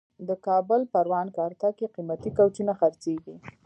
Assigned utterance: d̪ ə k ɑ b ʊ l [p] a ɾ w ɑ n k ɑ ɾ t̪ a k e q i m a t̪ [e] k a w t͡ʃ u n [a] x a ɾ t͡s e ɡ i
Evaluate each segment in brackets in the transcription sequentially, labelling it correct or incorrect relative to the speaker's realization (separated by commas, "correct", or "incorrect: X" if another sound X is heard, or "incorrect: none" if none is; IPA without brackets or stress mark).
correct, incorrect: i, correct